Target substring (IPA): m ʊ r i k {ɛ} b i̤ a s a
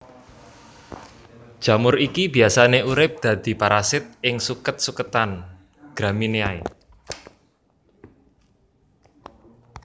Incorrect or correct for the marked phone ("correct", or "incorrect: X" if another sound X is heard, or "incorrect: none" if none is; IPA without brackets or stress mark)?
incorrect: i